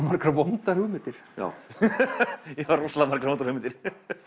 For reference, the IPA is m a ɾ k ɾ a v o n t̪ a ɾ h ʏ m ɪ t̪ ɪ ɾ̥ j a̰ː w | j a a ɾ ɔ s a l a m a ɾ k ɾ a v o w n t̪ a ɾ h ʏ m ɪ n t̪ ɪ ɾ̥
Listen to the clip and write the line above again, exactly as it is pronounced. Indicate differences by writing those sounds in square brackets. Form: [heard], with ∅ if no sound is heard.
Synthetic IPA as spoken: m a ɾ k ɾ a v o n t̪ a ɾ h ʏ m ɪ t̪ ɪ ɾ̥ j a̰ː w | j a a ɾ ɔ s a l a m a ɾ k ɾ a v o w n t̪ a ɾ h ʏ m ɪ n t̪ ɪ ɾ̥